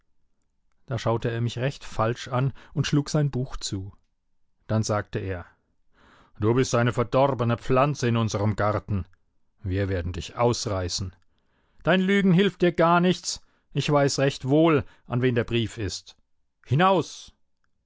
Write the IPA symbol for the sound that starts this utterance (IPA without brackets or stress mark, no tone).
d̥